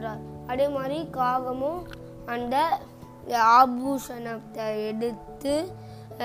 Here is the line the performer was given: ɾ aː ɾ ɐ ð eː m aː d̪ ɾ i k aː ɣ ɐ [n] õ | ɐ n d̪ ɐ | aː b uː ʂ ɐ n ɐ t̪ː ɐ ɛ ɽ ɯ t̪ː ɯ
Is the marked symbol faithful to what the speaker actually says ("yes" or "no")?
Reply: no